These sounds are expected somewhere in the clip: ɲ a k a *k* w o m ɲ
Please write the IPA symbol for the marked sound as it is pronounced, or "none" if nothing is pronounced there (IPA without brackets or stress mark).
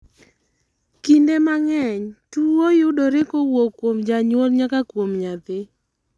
k